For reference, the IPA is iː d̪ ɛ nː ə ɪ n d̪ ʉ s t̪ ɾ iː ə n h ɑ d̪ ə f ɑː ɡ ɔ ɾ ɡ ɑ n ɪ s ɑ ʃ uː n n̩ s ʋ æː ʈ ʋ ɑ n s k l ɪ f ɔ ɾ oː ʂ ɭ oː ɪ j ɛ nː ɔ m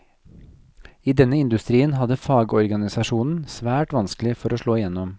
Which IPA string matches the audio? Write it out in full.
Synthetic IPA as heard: iː d̪ ɛ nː ə ɪ n d̪ ʉ s t̪ ɾ iː ə n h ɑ d̪ ə f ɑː ɡ ɔ ɾ ɡ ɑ n ɪ s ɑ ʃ uː n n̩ s ʋ æː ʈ ʋ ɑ n s k l ɪ f ɔ ɾ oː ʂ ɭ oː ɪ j ɛ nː ɔ m